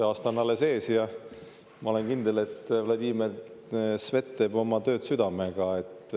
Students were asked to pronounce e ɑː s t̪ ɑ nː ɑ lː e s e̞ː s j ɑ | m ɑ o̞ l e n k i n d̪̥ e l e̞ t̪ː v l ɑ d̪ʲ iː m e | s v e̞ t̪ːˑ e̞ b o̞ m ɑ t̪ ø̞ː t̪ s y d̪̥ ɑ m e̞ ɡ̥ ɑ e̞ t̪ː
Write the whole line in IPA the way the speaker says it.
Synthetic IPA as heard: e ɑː s t̪ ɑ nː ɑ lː e s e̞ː s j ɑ | m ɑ o̞ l e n k i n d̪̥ e l e̞ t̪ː v l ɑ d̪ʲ iː m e | s v e̞ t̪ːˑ e̞ b o̞ m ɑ t̪ ø̞ː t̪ s y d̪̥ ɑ m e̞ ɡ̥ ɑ e̞ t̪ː